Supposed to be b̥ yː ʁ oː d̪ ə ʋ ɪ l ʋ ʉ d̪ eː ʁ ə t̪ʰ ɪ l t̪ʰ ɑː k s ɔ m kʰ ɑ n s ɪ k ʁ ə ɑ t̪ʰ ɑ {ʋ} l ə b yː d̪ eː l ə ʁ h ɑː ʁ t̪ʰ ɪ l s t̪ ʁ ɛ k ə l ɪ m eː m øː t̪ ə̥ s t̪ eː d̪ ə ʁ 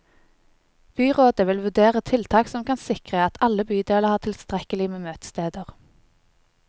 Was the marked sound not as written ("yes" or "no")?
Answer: yes